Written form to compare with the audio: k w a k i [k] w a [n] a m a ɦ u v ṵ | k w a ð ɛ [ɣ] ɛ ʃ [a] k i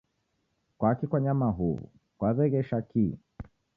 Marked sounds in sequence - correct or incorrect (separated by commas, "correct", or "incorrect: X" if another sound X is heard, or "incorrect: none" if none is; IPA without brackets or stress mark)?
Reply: correct, incorrect: ɲ, correct, correct